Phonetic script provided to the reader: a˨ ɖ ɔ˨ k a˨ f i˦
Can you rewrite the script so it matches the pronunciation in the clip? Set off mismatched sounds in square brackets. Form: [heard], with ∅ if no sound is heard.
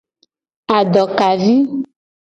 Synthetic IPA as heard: a˨ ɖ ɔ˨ k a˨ [v] i˦

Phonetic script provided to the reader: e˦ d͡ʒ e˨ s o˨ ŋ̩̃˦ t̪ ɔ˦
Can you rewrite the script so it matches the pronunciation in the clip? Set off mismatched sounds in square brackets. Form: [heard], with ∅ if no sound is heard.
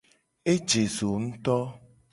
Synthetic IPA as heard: e˦ d͡ʒ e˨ [z] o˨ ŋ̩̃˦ t̪ ɔ˦

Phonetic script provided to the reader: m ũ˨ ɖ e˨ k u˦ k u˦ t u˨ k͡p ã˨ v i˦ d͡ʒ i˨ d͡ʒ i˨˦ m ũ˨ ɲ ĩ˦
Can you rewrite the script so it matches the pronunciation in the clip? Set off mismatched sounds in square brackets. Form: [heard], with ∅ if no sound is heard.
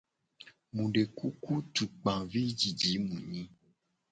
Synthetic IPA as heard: m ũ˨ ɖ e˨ k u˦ k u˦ t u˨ k͡p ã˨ v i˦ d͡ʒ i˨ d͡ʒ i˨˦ m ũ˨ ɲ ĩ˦

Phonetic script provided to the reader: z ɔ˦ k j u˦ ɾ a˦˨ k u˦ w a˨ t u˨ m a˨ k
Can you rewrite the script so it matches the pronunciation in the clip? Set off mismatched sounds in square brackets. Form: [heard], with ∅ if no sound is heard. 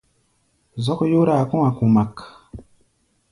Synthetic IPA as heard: z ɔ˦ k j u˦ ɾ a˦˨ k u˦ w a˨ [k] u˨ m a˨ k

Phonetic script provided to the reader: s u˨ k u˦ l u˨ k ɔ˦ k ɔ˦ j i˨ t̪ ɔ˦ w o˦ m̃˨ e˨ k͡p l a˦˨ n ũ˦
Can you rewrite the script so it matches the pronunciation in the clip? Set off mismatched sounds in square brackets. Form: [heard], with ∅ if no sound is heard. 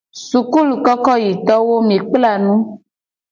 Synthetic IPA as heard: s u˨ k u˦ l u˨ k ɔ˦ k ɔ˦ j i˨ t̪ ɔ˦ w o˦ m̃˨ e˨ k͡p l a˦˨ n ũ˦

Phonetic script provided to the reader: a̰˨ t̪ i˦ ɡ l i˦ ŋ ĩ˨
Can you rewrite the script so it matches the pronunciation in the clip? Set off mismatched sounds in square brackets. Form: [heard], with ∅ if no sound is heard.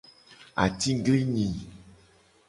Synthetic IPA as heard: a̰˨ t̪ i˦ ɡ l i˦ [ɲ] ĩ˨

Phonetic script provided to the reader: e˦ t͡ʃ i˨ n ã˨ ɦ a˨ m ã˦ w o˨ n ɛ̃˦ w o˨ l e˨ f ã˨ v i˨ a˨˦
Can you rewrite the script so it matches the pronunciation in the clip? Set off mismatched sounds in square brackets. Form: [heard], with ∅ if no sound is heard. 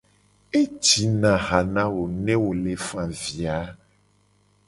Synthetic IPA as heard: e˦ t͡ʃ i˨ n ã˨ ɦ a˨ [n] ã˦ w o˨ n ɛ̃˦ w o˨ l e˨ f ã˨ v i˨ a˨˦

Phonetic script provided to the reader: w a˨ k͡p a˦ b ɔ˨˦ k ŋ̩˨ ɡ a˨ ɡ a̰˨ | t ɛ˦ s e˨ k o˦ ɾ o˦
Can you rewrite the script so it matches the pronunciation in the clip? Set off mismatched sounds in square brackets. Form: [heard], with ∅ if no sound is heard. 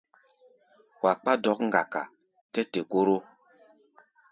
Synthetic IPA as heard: w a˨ k͡p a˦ [d] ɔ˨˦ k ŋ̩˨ ɡ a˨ [k] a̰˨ | t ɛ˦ [t] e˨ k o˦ ɾ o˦

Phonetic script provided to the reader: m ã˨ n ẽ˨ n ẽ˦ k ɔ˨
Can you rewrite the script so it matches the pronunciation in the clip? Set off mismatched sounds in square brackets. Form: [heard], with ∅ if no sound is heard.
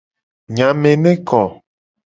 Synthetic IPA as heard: [ɲ] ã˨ [m] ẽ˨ n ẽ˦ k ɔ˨

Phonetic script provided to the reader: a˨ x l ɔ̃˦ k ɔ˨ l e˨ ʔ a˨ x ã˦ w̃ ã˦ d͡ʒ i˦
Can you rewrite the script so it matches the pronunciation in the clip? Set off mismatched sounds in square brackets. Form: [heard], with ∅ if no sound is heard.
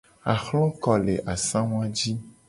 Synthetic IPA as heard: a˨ x l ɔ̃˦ k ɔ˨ l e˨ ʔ a˨ [s] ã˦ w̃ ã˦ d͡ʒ i˦

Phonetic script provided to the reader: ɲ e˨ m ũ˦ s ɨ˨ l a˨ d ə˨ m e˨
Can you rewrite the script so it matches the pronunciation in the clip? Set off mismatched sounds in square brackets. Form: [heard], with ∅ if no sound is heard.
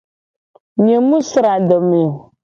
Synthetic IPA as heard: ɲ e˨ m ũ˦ s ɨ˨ [ɾ] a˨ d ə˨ m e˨

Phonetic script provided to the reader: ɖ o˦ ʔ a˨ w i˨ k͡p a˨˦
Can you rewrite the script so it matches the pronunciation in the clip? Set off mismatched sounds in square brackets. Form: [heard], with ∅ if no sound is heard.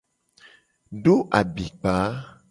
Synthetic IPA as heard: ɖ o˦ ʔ a˨ [b] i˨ k͡p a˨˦

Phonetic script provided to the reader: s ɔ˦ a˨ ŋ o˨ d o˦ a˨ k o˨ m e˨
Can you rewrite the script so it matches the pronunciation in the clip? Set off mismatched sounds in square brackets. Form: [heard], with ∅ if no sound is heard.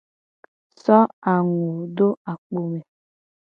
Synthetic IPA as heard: s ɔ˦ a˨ ŋ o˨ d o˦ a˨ [k͡p] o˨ m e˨

